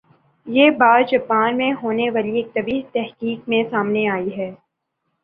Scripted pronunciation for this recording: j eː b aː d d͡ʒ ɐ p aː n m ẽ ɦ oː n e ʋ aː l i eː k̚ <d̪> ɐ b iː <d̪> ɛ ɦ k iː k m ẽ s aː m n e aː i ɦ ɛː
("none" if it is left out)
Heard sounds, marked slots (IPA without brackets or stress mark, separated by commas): t̪, t̪